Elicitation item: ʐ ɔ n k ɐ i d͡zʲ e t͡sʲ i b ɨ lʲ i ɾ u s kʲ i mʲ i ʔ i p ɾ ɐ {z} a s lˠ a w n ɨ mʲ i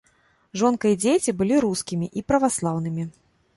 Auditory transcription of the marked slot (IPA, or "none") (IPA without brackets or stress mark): v